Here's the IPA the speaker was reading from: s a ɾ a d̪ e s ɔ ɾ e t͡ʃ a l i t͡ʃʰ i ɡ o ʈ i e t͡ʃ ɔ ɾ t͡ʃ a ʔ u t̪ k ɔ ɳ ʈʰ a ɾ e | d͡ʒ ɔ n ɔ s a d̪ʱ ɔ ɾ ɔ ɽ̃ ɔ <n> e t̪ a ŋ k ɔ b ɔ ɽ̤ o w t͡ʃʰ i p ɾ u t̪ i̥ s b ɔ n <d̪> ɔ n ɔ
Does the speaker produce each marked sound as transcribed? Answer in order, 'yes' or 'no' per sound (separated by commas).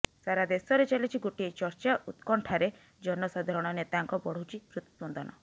yes, yes